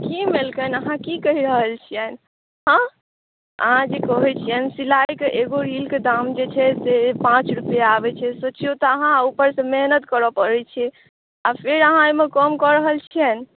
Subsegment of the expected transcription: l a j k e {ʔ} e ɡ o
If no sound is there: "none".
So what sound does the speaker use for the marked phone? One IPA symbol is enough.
ʔ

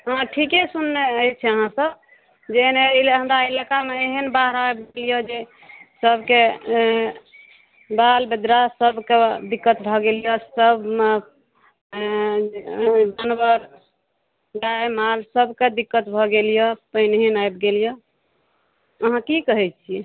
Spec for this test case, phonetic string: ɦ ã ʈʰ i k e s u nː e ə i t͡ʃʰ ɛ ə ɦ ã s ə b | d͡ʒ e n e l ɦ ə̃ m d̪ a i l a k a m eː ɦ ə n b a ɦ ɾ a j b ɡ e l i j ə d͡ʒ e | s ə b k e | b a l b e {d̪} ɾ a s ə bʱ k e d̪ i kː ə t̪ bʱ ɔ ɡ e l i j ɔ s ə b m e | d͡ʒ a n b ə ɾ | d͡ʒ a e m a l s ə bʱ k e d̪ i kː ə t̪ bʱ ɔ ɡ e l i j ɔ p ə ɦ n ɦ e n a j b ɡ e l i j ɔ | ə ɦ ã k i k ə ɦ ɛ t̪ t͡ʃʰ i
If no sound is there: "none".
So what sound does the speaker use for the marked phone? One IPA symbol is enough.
d̪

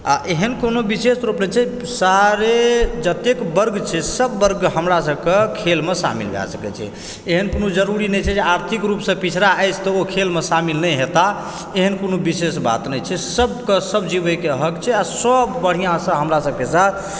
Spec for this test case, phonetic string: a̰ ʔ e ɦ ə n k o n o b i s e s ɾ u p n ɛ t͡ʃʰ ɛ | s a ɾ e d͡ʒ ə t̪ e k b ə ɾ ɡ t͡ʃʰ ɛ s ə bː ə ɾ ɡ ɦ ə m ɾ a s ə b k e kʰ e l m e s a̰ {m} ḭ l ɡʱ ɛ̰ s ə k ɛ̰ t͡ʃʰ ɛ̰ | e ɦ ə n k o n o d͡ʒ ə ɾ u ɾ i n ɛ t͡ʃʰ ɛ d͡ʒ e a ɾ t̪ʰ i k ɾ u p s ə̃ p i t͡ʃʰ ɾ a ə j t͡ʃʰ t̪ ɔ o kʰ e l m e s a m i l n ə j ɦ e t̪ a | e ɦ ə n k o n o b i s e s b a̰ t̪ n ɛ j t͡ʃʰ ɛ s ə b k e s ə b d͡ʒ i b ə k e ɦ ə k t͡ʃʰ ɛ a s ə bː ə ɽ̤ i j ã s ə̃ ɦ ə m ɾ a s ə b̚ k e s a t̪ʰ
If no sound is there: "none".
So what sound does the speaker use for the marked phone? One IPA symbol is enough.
m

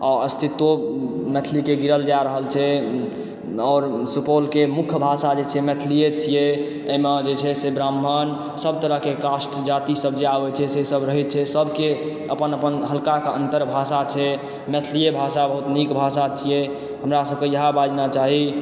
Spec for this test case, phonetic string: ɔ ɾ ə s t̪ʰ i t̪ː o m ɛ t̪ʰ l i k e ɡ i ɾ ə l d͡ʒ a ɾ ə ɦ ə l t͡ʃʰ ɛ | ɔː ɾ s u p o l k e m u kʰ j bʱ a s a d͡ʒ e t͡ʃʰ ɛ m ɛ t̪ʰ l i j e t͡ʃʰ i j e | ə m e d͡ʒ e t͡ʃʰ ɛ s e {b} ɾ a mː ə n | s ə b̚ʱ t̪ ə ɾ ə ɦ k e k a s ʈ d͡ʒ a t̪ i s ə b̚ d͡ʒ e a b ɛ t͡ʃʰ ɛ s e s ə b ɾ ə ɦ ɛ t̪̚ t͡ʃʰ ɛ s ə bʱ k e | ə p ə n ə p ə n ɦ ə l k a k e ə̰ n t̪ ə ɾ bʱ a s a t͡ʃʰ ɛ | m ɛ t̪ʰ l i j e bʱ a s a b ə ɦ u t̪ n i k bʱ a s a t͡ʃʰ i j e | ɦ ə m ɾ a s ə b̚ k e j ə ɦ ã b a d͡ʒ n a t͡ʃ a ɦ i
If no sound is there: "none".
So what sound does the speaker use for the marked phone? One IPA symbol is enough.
b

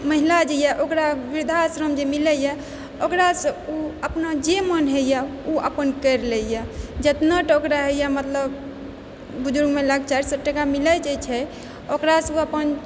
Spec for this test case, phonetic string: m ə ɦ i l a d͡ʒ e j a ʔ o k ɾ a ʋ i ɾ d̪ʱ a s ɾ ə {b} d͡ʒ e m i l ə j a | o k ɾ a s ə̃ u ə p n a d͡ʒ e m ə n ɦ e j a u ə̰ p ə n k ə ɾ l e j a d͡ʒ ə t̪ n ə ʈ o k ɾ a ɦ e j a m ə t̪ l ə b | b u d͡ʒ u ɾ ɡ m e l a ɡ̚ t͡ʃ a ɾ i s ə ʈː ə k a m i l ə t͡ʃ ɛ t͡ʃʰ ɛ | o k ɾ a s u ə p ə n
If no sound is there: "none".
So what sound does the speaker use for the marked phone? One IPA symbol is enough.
m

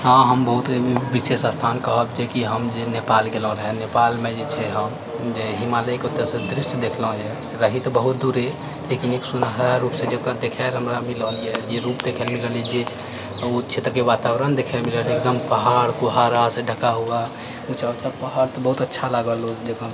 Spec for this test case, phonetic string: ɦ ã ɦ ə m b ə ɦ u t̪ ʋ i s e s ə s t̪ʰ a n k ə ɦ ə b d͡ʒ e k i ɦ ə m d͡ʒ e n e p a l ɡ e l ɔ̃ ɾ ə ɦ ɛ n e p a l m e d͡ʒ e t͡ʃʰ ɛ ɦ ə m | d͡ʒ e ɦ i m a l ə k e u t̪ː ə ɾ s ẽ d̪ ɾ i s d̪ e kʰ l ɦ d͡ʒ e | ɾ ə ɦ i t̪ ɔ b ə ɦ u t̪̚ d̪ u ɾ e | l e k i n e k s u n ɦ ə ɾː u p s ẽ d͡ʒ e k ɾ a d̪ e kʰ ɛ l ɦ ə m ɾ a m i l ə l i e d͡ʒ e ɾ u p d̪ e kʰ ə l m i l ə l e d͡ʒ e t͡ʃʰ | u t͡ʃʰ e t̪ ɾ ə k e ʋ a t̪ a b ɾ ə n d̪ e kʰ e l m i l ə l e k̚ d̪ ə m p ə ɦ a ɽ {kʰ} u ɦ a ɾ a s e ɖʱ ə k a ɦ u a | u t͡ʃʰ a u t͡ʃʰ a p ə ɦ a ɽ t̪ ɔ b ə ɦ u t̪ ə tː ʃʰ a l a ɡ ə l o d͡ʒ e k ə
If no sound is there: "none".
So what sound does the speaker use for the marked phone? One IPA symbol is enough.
k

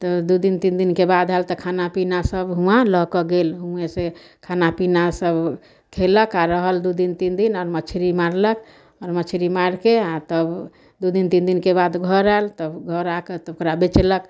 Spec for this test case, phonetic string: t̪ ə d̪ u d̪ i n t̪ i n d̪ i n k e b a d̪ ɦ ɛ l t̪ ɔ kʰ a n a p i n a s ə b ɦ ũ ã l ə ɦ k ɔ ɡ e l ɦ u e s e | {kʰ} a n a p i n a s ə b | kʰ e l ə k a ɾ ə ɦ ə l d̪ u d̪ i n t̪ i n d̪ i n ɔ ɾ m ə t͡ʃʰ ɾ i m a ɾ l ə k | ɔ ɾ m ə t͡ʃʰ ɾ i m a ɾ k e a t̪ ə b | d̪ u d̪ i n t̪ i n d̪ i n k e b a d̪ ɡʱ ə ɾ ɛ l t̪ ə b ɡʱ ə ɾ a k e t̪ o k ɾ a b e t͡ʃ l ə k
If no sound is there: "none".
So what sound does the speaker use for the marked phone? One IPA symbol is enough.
kʰ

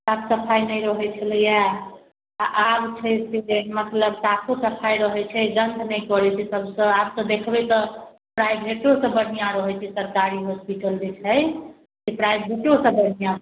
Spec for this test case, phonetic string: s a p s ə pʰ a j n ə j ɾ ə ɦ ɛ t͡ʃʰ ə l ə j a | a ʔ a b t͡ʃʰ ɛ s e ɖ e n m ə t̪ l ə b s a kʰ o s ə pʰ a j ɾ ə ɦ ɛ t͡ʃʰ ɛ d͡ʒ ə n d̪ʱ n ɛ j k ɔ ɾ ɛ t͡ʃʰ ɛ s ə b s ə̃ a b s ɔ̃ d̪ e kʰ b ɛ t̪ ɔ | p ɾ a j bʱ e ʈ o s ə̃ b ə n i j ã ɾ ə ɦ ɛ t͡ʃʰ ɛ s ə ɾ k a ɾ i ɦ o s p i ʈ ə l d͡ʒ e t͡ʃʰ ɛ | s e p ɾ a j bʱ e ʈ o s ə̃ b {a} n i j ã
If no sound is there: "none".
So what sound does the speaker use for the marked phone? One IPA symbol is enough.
ə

